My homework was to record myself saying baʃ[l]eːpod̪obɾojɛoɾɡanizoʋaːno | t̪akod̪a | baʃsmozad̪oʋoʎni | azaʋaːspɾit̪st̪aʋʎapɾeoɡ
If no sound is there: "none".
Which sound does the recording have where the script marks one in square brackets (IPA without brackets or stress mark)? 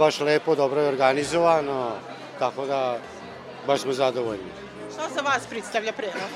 l